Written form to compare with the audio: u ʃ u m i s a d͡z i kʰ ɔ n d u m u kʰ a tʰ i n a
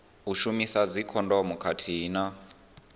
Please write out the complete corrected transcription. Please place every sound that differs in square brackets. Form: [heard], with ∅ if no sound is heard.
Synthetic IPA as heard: u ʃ u m i s a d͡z i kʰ ɔ n d [ɔ] m u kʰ a tʰ i n a